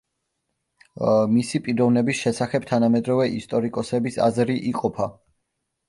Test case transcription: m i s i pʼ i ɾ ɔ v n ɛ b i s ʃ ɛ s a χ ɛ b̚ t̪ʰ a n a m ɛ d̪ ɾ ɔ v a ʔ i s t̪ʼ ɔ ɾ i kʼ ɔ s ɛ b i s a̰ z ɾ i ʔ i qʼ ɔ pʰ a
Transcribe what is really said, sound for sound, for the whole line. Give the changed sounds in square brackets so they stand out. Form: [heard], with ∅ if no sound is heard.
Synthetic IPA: m i s i pʼ i ɾ ɔ v n ɛ b i s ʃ ɛ s a χ ɛ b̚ t̪ʰ a n a m ɛ d̪ ɾ ɔ v [ɛ] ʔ i s t̪ʼ ɔ ɾ i kʼ ɔ s ɛ b i s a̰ z ɾ i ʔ i qʼ ɔ pʰ a